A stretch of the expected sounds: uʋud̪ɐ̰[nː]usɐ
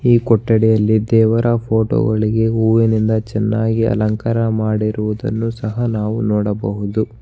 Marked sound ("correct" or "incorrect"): correct